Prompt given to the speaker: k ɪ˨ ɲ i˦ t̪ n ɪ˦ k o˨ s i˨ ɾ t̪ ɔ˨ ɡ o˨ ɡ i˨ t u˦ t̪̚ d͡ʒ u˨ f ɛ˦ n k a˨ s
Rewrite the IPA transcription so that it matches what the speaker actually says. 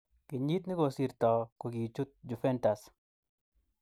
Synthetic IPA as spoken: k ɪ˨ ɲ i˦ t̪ n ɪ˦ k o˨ s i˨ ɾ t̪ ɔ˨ k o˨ ɡ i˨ t͡ʃ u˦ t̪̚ d͡ʒ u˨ f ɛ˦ n t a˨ s

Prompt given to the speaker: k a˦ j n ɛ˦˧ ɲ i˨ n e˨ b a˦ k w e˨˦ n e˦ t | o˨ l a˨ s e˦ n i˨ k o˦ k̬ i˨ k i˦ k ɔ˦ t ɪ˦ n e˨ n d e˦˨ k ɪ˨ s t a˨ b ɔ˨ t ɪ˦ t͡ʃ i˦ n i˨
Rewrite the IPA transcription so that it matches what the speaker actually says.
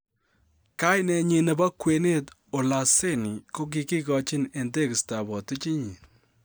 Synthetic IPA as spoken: k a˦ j n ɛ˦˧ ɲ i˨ n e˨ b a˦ k w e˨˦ n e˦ t | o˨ l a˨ s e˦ n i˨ k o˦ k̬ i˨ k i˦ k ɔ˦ t͡ʃ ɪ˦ n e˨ n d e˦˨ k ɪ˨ s t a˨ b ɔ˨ t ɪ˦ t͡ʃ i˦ ɲ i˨

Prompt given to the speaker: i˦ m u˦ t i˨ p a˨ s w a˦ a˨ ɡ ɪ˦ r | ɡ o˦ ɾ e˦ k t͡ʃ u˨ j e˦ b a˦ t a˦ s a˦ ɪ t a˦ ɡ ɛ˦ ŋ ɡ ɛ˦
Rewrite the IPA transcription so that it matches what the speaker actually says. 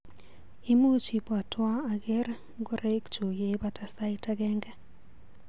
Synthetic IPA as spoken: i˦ m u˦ t͡ʃ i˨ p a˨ t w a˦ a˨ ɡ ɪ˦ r | ɡ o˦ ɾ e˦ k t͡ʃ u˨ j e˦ b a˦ t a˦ s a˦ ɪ t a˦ ɡ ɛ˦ ŋ ɡ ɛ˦

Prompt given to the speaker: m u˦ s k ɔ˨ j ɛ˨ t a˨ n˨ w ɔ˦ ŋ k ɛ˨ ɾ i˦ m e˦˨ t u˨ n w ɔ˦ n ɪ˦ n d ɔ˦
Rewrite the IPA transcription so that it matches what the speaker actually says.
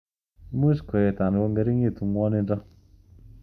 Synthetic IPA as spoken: m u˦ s k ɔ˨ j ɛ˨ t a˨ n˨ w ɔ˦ ŋ ɡ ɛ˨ ɾ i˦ ŋ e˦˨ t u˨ ŋ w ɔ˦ n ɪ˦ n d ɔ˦

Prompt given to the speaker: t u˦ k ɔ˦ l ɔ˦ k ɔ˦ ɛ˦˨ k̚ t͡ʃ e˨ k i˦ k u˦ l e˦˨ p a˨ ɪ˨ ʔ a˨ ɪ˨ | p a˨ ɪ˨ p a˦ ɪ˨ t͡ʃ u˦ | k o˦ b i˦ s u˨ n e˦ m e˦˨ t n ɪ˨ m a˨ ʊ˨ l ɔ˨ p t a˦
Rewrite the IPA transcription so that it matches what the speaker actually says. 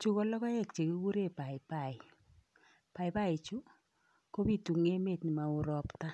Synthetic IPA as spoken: t͡ʃ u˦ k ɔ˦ l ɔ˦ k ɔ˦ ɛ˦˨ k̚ t͡ʃ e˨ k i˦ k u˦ ɾ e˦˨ p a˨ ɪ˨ p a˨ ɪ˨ | p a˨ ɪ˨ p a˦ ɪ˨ t͡ʃ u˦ | k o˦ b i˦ t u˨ ŋ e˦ m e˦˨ t n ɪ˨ m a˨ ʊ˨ ɾ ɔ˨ p t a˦

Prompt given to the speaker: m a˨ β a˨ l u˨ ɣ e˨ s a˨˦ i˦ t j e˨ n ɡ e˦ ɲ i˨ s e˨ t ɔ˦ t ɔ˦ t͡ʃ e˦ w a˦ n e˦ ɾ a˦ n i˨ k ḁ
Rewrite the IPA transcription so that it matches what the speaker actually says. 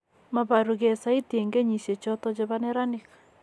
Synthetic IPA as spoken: m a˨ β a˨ ɾ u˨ ɣ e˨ s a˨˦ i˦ t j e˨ ŋ ɡ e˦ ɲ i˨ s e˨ t͡ʃ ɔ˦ t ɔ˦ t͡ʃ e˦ β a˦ n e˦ ɾ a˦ n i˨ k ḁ

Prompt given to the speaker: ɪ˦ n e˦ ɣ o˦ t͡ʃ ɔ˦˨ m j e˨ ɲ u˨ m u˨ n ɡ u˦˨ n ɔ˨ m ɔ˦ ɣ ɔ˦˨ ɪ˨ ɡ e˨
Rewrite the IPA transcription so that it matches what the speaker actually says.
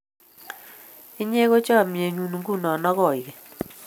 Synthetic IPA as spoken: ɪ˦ ɲ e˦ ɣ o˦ t͡ʃ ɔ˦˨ m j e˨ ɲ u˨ n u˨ ŋ ɡ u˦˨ n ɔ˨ n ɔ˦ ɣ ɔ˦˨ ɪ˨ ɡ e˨

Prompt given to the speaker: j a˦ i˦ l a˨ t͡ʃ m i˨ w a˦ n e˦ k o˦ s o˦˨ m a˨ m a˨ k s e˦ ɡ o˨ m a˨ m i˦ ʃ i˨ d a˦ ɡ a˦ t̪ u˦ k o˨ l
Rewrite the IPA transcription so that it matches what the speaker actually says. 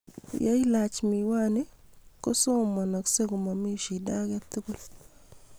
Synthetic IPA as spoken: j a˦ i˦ l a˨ t͡ʃ m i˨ w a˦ n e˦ k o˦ s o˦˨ m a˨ n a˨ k s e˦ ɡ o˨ m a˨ m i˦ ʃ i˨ d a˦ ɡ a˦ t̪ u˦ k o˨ l

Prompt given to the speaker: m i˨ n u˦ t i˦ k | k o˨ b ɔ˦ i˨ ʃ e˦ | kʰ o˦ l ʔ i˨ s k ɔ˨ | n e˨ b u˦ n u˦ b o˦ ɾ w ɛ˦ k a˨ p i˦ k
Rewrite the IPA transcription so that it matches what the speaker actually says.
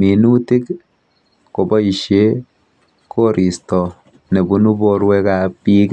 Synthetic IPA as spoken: m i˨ n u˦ t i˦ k | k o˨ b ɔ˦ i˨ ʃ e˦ | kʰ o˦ ɾ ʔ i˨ s t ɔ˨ | n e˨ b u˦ n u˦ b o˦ ɾ w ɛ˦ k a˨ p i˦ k

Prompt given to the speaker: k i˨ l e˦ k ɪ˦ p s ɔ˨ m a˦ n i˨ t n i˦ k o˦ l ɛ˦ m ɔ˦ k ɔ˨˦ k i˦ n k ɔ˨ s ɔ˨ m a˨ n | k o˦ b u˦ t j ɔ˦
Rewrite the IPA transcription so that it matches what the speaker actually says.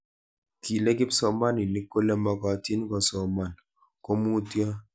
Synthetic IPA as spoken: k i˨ l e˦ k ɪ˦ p s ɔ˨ m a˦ n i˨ n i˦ k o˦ l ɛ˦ m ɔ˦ k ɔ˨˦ t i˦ n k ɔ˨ s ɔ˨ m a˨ n | k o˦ m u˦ t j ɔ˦

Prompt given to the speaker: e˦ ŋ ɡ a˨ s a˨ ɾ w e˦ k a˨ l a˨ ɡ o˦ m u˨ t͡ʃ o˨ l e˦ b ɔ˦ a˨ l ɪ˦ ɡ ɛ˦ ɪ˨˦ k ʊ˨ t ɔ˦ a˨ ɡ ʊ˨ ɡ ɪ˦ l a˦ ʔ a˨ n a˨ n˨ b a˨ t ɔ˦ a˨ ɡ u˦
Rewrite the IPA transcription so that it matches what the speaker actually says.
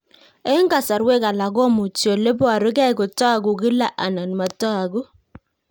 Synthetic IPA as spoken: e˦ ŋ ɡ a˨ s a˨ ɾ w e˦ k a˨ l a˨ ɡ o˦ m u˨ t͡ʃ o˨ l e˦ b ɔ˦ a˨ ɾ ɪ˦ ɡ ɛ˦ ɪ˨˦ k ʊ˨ t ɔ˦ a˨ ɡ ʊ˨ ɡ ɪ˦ l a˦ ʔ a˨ n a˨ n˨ m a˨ t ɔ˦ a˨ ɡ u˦

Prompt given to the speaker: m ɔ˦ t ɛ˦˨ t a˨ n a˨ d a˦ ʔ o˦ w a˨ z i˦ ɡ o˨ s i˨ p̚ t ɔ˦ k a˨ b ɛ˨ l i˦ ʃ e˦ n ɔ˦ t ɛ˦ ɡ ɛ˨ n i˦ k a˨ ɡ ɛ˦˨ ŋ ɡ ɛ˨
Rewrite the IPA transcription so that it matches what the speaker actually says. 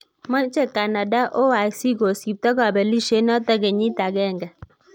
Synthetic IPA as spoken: m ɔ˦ t͡ʃ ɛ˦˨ k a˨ n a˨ d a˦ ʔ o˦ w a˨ s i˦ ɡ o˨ s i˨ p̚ t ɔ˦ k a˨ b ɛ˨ l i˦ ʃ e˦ n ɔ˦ t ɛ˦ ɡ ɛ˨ ɲ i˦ t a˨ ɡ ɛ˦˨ ŋ ɡ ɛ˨

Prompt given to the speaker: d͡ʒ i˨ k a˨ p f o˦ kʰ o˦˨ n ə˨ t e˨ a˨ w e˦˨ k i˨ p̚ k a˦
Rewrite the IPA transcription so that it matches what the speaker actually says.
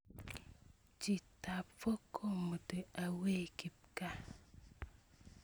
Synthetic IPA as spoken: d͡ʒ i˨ t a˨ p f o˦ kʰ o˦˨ m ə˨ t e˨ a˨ w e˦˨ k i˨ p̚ k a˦

